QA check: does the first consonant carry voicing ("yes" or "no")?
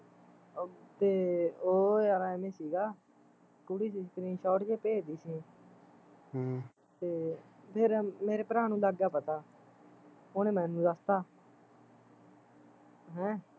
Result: no